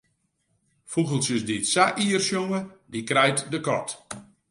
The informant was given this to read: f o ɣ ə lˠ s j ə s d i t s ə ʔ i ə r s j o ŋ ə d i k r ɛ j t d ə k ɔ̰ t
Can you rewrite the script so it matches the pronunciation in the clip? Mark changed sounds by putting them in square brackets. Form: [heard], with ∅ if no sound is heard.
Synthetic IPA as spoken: f [u] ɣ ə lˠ s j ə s d i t s [a] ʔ i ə r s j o ŋ ə d i k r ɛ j t d ə k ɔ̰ t